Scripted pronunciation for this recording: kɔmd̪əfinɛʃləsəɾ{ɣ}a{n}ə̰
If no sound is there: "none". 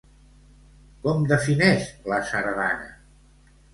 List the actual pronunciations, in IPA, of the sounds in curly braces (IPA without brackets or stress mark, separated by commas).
ð, n